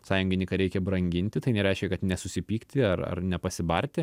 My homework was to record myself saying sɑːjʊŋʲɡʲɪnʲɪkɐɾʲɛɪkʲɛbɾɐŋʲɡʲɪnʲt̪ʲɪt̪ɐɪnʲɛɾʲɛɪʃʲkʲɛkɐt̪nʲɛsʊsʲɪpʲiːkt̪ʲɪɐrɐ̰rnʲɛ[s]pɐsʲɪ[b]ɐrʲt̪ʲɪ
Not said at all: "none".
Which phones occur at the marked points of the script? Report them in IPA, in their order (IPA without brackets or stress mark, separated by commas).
none, b